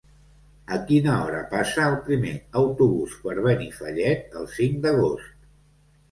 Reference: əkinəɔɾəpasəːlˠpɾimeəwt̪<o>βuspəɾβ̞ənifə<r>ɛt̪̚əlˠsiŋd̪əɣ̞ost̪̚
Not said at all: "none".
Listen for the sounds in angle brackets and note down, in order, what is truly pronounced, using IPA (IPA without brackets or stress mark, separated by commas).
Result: u, ʎ